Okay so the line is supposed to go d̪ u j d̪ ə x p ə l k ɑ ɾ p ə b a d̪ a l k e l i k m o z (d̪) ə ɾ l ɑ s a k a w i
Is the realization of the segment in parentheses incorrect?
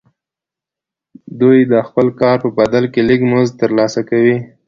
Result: yes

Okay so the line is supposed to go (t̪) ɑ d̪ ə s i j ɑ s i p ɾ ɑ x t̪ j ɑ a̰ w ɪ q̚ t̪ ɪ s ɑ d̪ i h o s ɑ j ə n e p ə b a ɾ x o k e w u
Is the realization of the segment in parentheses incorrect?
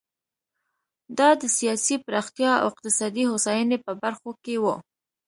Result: yes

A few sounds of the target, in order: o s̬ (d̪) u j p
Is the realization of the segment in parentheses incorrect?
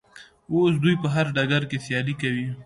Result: no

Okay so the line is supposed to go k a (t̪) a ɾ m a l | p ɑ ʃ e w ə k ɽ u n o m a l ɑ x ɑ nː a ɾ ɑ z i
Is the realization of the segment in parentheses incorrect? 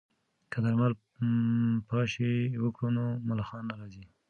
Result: yes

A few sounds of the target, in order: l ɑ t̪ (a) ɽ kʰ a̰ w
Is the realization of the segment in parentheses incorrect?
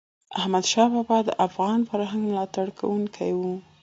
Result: no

